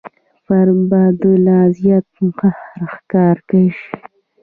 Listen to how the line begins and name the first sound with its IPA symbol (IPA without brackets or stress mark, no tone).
f